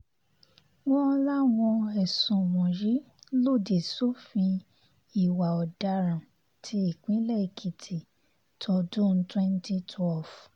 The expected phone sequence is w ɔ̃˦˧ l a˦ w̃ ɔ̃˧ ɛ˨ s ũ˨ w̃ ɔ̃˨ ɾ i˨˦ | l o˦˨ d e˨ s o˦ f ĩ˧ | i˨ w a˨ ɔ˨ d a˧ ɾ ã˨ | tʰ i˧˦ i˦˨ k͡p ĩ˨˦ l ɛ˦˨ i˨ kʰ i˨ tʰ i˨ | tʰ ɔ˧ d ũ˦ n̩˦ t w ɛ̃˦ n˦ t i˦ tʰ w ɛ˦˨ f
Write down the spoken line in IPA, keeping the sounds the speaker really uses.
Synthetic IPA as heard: w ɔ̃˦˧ l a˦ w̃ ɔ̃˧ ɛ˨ s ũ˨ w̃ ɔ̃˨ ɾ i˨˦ | l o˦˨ d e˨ s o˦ f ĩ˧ | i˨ w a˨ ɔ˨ d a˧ ɾ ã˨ | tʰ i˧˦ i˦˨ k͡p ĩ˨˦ l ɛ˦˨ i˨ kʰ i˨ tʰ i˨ | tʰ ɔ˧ d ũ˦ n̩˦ t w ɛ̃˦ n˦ t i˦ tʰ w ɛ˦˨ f